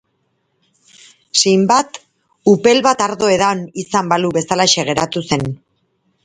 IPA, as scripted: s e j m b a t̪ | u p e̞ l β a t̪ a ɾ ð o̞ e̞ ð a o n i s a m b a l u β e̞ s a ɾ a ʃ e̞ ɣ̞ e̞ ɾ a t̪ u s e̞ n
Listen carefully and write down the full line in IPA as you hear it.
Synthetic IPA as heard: s e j m b a t̪ | u p e̞ l β a t̪ a ɾ ð o̞ e̞ ð a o n i s a m b a l u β e̞ s a l a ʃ e̞ ɣ̞ e̞ ɾ a t̪ u s e̞ n

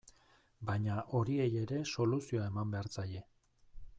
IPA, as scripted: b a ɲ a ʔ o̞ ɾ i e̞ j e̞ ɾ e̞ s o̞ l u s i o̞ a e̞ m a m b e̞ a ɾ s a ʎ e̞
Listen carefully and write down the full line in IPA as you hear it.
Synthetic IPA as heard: b a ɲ a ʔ o̞ ɾ i e̞ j e̞ ɾ e̞ s o̞ l u s i o̞ a e̞ m a m b e̞ a ɾ t͡s a j e̞

